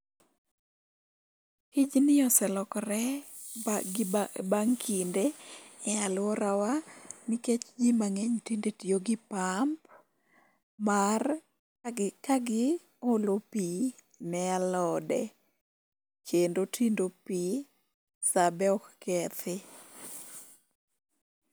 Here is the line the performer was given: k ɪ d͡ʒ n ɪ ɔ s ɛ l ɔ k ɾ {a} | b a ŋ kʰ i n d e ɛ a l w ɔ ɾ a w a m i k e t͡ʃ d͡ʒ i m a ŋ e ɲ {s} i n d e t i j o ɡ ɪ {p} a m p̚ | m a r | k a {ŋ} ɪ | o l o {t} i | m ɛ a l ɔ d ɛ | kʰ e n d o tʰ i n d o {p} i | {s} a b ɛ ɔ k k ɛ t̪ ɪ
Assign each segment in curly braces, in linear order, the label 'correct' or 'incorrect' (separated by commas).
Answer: incorrect, incorrect, correct, incorrect, incorrect, correct, correct